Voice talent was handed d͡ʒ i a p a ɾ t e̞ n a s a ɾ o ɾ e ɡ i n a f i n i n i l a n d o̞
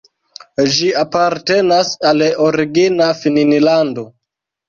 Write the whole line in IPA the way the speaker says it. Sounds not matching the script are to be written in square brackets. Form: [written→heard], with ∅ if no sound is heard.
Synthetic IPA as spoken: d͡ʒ i a p a ɾ t e̞ n a s a [ɾ→l] o ɾ [e→i] ɡ i n a f i n i n i l a n d o̞